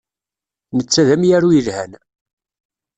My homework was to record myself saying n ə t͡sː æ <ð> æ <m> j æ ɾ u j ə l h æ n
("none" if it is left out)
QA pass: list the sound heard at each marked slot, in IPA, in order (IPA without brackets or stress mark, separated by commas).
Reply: ð, m